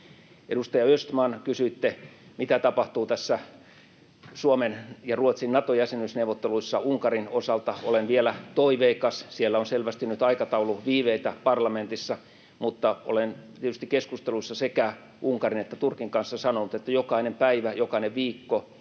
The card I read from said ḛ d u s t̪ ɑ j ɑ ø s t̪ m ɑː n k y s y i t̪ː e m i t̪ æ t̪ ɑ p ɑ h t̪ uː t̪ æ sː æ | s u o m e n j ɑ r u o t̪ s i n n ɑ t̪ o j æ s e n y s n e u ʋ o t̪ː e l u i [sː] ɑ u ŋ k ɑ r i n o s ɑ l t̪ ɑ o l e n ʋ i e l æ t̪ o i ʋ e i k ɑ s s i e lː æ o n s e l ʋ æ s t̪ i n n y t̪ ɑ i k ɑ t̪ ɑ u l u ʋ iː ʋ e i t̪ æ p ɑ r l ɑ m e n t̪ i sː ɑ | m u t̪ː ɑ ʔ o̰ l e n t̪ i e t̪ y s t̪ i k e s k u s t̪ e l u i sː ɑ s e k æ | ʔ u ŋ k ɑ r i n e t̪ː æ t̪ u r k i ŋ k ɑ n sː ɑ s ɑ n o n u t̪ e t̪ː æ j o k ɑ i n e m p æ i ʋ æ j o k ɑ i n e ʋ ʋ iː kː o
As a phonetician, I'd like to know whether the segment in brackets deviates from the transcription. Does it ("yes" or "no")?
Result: no